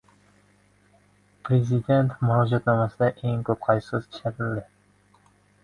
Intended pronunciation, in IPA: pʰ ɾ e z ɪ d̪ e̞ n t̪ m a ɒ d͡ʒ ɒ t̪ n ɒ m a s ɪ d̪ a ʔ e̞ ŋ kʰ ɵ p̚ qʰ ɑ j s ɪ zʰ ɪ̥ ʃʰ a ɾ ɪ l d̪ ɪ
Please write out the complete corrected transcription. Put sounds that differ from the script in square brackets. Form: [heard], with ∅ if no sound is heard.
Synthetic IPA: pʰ ɾ e z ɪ d̪ e̞ n t̪ m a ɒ d͡ʒ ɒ t̪ n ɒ m a s ɪ d̪ a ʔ e̞ ŋ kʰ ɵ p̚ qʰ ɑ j s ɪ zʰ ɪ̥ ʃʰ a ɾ ɪ l d̪ ɪ